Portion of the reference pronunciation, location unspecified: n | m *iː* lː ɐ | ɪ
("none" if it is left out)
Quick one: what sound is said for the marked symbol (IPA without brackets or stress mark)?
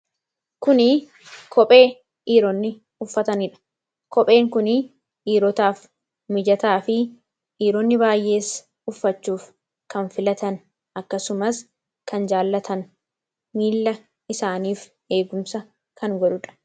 iː